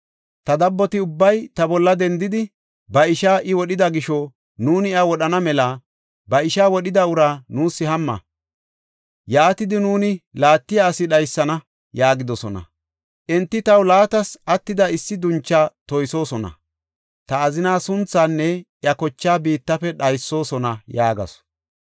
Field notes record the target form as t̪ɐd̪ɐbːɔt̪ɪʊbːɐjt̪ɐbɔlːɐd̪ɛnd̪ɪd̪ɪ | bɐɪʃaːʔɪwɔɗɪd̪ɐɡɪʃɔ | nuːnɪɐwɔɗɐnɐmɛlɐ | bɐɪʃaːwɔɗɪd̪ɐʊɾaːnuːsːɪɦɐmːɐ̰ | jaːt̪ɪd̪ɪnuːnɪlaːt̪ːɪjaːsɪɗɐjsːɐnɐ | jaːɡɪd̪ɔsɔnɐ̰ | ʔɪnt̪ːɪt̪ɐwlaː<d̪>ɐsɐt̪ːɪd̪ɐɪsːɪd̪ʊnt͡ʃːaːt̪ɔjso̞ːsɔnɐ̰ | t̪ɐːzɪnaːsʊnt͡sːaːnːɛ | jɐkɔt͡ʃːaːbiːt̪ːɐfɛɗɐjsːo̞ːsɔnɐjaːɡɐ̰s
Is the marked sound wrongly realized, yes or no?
yes